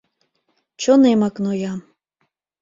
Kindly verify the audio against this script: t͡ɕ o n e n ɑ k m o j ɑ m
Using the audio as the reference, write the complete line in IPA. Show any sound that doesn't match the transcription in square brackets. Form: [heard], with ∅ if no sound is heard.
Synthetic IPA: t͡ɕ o n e [m] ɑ k [n] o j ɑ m